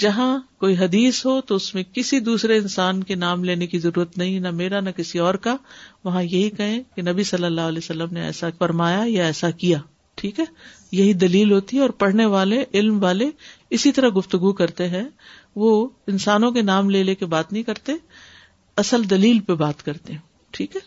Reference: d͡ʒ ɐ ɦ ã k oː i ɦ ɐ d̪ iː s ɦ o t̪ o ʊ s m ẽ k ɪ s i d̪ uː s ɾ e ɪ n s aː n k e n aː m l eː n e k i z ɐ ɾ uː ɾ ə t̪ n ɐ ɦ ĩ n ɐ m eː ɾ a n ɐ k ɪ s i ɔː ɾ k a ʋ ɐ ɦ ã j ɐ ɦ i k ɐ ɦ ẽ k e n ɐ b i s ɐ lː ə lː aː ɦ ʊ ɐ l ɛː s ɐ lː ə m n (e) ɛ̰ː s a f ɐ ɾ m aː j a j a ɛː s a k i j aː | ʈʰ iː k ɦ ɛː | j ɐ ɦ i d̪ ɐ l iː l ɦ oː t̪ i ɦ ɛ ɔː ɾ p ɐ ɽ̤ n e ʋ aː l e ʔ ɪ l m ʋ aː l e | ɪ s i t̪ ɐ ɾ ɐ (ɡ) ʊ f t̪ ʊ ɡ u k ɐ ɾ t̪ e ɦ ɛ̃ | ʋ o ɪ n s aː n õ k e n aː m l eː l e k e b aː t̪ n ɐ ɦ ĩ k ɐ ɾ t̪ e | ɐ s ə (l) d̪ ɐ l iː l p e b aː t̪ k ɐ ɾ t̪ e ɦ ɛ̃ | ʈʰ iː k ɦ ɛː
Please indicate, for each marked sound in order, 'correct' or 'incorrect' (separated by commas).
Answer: correct, correct, correct